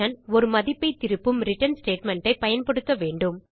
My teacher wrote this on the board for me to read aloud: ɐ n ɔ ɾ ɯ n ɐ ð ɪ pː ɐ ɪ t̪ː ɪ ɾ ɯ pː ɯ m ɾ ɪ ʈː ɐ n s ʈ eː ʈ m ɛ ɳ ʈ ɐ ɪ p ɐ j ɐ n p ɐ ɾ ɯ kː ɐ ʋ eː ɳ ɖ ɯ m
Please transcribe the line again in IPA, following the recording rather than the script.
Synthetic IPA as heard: ɐ n ɔ ɾ ɯ m ɐ ð ɪ pː ɐ ɪ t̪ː ɪ ɾ ɯ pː ɯ m ɾ ɪ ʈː ɐ n s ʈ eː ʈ m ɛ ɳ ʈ ɐ ɪ p ɐ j ɐ n p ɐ ɽ ɯ kː ɐ ʋ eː ɳ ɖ ɯ m